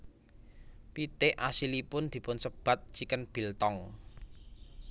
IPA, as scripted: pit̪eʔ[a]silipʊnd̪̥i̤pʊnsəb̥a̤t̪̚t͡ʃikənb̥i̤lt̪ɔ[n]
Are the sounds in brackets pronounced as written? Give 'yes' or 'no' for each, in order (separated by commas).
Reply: yes, no